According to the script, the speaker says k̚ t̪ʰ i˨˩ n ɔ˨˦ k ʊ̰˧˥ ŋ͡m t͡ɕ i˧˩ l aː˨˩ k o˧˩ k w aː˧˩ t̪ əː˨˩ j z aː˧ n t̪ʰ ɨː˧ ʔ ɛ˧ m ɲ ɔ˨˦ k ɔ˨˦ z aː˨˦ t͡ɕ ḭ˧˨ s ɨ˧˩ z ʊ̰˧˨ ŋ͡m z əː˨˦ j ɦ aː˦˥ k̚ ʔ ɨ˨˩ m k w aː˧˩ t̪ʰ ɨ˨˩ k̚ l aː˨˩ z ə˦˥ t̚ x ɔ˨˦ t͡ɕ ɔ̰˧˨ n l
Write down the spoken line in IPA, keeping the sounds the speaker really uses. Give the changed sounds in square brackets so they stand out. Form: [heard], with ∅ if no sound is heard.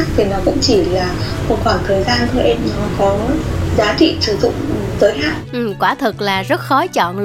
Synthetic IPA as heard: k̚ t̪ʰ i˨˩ n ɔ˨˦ k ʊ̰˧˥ ŋ͡m t͡ɕ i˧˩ l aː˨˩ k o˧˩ k w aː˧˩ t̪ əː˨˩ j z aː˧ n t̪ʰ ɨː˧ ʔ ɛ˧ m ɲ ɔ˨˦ k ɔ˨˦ z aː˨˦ t͡ɕ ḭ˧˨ s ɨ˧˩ z ʊ̰˧˨ ŋ͡m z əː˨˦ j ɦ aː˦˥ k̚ ʔ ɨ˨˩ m k w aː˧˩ t̪ʰ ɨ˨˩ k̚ l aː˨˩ z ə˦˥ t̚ x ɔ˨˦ t͡ɕ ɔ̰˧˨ n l